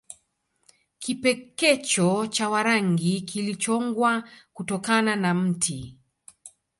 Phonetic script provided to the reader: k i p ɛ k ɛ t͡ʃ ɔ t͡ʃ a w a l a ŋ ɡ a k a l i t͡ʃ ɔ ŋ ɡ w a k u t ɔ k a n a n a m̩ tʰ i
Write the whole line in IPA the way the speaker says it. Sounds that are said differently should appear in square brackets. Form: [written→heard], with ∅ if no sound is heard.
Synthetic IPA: k i p ɛ k ɛ t͡ʃ ɔ t͡ʃ a w a [l→ɾ] a ŋ ɡ [a→i] k [a→i] l i t͡ʃ ɔ ŋ ɡ w a k u t ɔ k a n a n a m̩ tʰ i